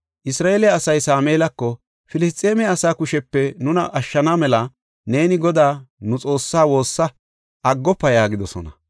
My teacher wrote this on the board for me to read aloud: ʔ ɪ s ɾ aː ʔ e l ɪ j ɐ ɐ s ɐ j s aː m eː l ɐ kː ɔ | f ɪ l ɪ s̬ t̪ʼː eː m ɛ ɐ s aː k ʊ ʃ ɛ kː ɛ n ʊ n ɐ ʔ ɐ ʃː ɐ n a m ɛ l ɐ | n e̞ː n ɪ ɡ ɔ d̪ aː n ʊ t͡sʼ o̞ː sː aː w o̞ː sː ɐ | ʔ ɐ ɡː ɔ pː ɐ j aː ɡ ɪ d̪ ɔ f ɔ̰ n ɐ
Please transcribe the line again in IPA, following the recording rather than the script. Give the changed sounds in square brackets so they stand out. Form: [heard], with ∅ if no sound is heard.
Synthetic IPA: ʔ ɪ s ɾ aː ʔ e l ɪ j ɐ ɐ s ɐ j s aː m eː l ɐ kː ɔ | f ɪ l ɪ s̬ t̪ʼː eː m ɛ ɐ s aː k ʊ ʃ ɛ [pː] ɛ n ʊ n ɐ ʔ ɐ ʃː ɐ n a m ɛ l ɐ | n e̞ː n ɪ ɡ ɔ d̪ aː n ʊ t͡sʼ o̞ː sː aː w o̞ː sː ɐ | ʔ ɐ ɡː ɔ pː ɐ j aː ɡ ɪ d̪ ɔ [s] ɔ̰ n ɐ